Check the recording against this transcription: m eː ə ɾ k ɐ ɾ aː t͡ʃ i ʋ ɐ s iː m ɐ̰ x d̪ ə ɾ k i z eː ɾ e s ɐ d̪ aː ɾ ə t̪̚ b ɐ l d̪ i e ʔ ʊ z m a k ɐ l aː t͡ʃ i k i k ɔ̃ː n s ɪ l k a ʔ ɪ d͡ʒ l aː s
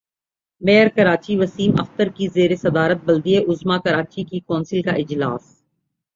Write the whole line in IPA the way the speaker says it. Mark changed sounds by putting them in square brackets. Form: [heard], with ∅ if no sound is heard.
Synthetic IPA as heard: m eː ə ɾ k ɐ ɾ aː t͡ʃ i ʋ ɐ s iː m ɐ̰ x [t̪] ə ɾ k i z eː ɾ e s ɐ d̪ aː ɾ ə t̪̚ b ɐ l d̪ i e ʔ ʊ z m a k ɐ [ɾ] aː t͡ʃ i k i k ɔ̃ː n s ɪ l k a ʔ ɪ d͡ʒ l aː s